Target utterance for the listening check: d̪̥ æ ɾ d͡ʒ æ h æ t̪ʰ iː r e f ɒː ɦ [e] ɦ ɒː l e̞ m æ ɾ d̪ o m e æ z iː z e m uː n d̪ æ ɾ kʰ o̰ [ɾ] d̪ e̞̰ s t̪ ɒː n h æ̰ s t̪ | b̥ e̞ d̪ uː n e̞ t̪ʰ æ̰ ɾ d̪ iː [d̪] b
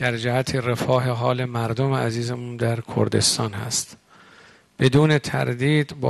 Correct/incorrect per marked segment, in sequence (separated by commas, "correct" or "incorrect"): correct, correct, correct